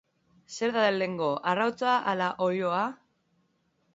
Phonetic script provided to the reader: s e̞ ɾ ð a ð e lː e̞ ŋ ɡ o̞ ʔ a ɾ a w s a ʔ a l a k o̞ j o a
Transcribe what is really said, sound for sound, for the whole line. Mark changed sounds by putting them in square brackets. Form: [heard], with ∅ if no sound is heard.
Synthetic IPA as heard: s e̞ ɾ ð a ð e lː e̞ ŋ ɡ o̞ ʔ a [r] a w [t͡s] a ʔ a l a [ʔ] o̞ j o a

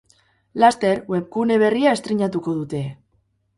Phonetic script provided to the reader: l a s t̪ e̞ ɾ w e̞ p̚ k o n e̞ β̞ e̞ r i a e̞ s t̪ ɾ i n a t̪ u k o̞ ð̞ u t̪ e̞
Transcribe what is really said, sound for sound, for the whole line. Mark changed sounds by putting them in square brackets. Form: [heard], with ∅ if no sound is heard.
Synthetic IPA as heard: l a s t̪ e̞ ɾ w e̞ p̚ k [u] n e̞ β̞ e̞ r i a e̞ s t̪ ɾ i [ɲ] a t̪ u k o̞ ð̞ u t̪ e̞

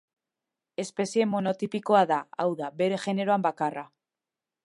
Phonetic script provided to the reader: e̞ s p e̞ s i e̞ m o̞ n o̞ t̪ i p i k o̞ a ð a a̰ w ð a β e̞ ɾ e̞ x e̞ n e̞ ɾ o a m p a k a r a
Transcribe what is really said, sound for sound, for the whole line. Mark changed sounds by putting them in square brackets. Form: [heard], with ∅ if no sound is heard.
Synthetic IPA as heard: e̞ s p e̞ s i e̞ m o̞ n o̞ t̪ i p i k o̞ a ð a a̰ w ð a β e̞ ɾ e̞ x e̞ n e̞ ɾ o a m [b] a k a r a

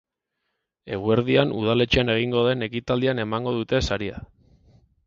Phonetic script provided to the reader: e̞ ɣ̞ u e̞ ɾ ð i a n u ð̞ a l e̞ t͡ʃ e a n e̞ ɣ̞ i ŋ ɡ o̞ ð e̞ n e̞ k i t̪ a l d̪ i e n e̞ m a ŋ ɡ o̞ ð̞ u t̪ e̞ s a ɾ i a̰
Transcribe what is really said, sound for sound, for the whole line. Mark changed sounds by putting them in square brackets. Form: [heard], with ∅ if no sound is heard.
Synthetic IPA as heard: e̞ ɣ̞ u e̞ ɾ ð i a n u ð̞ a l e̞ t͡ʃ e a n e̞ ɣ̞ i ŋ ɡ o̞ ð e̞ n e̞ k i t̪ a l d̪ i [a] n e̞ m a ŋ ɡ o̞ ð̞ u t̪ e̞ s a ɾ i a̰

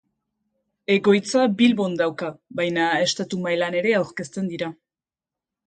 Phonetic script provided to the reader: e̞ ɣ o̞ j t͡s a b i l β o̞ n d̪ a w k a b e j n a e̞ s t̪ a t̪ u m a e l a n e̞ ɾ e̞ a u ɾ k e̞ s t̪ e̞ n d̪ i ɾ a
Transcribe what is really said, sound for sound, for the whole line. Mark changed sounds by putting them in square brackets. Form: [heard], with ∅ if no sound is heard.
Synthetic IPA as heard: e̞ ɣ o̞ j t͡s a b i l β o̞ n d̪ a w k a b [a] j n a e̞ s t̪ a t̪ u m a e l a n e̞ ɾ e̞ a [w] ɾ k e̞ s t̪ e̞ n d̪ i ɾ a

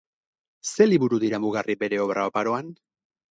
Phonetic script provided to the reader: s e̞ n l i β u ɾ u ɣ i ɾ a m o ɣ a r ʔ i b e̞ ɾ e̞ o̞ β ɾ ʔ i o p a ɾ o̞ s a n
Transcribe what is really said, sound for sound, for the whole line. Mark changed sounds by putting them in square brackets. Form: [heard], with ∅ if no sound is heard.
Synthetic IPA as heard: s e̞ [∅] l i β u ɾ u [ð] i ɾ a m [u] ɣ a r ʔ i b e̞ ɾ e̞ o̞ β ɾ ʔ [a] o p a ɾ o̞ [∅] a n

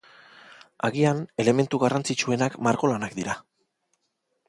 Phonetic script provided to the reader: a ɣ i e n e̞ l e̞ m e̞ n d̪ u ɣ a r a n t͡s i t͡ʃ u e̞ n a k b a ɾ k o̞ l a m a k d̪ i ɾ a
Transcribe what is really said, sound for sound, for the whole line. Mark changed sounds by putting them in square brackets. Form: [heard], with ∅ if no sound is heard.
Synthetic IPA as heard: a ɣ i [a] n e̞ l e̞ m e̞ n [t̪] u ɣ a r a n t͡s i t͡ʃ u e̞ n a k [m] a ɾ k o̞ l a [n] a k d̪ i ɾ a

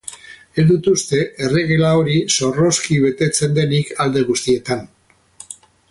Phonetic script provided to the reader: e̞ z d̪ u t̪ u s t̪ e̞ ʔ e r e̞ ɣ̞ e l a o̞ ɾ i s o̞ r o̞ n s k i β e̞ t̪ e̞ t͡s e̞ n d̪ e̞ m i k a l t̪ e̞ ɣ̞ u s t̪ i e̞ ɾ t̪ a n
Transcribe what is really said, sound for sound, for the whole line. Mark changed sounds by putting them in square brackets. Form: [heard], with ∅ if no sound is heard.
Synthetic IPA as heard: e̞ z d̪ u t̪ u s t̪ e̞ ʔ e r e̞ ɣ̞ e l a o̞ ɾ i s o̞ r o̞ [∅] s k i β e̞ t̪ e̞ t͡s e̞ n d̪ e̞ [n] i k a l [d̪] e̞ ɣ̞ u s t̪ i e̞ [∅] t̪ a n

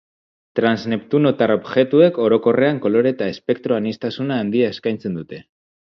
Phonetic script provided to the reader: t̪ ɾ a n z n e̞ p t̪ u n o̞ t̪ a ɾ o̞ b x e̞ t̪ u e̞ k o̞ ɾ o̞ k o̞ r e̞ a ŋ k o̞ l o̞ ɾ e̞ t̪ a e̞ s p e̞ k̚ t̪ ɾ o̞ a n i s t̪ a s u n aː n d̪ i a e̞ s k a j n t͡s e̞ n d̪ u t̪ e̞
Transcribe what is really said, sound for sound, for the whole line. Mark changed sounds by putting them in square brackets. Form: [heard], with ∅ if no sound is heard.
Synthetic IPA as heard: t̪ ɾ a n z n e̞ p t̪ u n o̞ t̪ a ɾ o̞ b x e̞ t̪ u e̞ k o̞ ɾ o̞ k o̞ r e̞ a ŋ k o̞ l o̞ ɾ e̞ t̪ a e̞ s p e̞ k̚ t̪ ɾ o̞ a n i s t̪ a s u n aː n d̪ i a e̞ s k a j n t͡s e̞ n d̪ u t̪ e̞

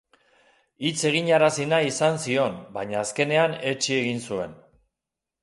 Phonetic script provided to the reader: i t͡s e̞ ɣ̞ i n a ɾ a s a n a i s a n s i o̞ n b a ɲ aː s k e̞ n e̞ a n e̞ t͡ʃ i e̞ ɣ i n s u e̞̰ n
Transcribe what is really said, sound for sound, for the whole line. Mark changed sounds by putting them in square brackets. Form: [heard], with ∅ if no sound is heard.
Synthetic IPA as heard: i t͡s e̞ ɣ̞ i [ɲ] a ɾ a s [i] n a i s a n s i o̞ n b a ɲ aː s k e̞ n e̞ a n e̞ t͡ʃ i e̞ ɣ i n s u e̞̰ n

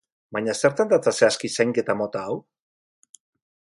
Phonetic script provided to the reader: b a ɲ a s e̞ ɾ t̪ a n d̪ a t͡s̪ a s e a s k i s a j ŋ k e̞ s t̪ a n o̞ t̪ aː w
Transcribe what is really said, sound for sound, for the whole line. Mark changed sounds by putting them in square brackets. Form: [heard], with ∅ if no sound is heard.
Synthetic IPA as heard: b a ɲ a s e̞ ɾ t̪ a n d̪ a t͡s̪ a s e a s k i s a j ŋ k e̞ [∅] t̪ a [m] o̞ t̪ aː w

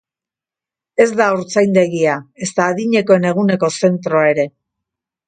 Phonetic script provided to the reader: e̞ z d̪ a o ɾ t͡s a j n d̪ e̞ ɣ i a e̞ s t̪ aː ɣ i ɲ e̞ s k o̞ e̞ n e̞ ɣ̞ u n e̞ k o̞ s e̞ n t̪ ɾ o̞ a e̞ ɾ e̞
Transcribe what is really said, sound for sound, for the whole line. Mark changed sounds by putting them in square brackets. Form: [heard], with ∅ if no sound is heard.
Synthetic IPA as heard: e̞ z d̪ a o ɾ t͡s a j n d̪ e̞ ɣ i a e̞ s t̪ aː [ð] i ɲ e̞ [∅] k o̞ e̞ n e̞ ɣ̞ u n e̞ k o̞ s e̞ n t̪ ɾ o̞ a e̞ ɾ e̞

